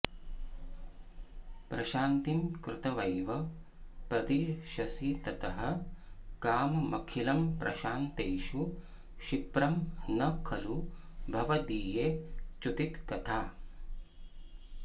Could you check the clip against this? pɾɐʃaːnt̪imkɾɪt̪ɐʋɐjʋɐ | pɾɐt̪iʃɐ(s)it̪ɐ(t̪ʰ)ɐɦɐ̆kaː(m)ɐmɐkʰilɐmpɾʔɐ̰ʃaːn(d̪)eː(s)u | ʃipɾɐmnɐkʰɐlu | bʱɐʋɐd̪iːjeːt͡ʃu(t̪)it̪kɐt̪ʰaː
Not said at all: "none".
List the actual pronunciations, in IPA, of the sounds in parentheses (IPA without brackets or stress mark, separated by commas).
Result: s, t̪, m, t̪, ʃ, t̪